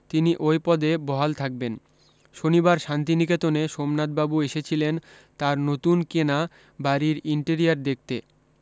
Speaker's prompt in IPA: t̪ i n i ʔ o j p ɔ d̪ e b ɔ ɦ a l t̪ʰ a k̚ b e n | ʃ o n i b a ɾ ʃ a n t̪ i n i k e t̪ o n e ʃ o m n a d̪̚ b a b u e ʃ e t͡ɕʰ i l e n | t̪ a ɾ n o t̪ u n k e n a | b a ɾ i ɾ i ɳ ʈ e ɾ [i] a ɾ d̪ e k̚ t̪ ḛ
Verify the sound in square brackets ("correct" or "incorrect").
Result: correct